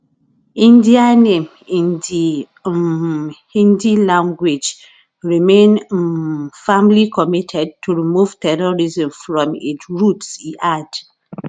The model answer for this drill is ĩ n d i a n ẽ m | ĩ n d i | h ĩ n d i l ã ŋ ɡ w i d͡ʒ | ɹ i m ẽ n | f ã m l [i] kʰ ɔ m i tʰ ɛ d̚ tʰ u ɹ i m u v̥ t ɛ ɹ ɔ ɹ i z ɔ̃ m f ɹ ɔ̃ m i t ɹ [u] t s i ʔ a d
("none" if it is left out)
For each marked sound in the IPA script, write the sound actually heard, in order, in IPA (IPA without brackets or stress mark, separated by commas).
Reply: i, u